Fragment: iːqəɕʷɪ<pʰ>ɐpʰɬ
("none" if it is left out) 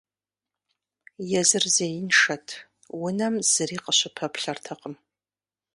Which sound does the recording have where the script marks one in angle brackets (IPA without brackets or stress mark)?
pʰ